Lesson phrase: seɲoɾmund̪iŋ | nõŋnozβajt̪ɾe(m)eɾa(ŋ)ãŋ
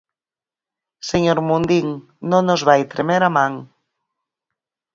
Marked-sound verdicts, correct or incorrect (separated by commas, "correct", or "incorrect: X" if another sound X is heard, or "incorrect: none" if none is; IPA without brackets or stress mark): correct, incorrect: m